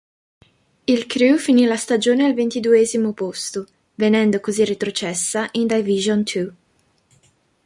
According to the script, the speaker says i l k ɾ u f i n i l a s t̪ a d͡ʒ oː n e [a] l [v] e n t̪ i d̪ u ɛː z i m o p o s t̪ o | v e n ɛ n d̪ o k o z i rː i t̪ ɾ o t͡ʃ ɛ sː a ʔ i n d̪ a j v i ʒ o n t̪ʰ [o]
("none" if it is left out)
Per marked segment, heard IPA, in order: a, v, u

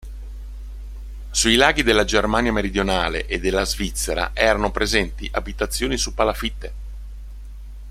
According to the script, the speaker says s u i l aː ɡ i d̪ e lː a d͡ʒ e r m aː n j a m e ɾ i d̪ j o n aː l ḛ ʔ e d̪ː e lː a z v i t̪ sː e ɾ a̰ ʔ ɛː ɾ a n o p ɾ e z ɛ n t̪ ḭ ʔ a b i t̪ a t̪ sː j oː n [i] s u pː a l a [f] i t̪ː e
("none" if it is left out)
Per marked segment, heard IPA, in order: i, f

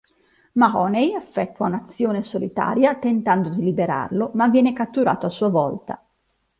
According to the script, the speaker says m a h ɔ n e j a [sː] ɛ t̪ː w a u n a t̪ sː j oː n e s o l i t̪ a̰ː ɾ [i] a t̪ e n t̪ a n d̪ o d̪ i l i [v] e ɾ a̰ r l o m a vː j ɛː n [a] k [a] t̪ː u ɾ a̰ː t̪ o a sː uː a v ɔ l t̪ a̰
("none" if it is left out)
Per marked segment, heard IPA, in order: fː, j, b, e, a

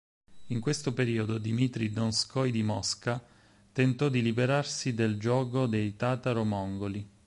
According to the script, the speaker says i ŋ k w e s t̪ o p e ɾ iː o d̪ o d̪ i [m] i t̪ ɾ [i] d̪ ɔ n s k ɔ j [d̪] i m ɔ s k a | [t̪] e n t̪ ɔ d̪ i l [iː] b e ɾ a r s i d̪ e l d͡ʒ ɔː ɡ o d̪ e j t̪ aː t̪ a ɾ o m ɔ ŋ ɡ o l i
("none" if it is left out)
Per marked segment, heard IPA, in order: m, i, d̪, t̪, i

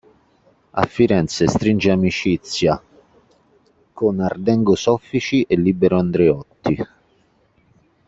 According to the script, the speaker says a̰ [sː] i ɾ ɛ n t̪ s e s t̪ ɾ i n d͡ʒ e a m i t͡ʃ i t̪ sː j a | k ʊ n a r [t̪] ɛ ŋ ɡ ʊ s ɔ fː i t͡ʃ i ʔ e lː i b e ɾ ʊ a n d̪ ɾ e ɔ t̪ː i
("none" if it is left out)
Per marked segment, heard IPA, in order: fː, d̪

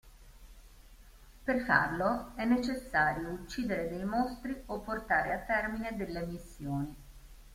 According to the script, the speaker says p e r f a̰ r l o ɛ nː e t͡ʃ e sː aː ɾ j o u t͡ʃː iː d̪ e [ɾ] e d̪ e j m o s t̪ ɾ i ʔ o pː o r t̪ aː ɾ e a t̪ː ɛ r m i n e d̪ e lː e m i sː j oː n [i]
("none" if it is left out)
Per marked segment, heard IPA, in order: ɾ, i

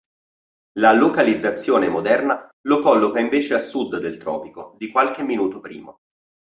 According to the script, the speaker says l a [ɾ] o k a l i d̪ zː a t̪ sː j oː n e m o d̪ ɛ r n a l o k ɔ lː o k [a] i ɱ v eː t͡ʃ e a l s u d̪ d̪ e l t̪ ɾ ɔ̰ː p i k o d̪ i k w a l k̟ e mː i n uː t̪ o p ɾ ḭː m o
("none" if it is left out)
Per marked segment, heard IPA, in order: l, a

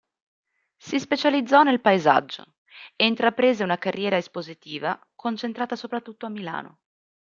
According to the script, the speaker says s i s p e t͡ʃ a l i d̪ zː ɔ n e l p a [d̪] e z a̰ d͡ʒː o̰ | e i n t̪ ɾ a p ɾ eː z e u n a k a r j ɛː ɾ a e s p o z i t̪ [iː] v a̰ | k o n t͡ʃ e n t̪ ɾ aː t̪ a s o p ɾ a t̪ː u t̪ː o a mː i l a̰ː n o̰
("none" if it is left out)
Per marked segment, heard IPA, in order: none, iː

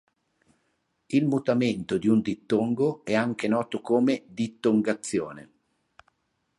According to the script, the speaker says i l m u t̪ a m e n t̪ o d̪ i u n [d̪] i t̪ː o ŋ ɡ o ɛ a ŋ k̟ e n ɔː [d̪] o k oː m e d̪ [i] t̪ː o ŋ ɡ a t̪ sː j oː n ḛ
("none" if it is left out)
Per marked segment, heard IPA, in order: d̪, t̪, i

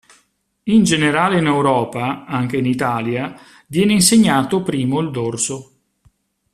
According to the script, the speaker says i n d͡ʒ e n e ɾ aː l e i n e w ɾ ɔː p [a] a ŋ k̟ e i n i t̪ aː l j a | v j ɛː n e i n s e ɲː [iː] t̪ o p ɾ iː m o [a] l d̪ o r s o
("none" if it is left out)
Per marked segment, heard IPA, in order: a, aː, i

